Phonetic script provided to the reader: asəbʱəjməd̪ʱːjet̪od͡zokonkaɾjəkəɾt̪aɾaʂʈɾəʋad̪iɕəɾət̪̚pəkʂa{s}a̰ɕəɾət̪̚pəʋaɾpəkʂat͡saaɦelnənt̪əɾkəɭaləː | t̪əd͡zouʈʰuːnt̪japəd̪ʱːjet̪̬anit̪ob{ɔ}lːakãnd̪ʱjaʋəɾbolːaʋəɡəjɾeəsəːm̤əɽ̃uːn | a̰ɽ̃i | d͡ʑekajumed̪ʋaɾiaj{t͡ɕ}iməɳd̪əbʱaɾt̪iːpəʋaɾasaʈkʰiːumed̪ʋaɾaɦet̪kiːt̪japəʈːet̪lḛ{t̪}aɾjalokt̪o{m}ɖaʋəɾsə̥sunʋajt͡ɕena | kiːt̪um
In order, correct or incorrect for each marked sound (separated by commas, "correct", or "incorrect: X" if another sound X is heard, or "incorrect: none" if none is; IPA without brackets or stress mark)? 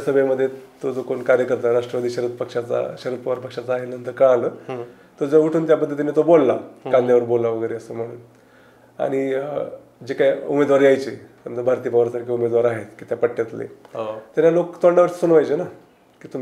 incorrect: t͡s, incorrect: o, correct, correct, incorrect: ɳ